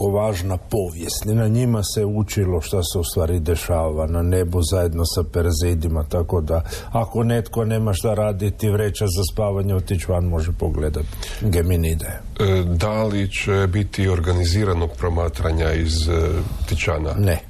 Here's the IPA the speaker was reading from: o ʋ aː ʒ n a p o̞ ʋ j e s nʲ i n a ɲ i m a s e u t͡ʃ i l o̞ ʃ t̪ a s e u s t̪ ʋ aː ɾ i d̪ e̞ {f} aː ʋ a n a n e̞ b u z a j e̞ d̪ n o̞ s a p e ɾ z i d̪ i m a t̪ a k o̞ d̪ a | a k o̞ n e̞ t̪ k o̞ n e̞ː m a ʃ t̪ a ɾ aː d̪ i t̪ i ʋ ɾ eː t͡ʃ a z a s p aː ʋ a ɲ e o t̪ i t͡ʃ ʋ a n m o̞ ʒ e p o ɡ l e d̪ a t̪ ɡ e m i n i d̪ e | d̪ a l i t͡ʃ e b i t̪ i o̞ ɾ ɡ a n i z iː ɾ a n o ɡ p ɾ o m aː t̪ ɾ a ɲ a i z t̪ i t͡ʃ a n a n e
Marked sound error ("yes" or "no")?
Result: yes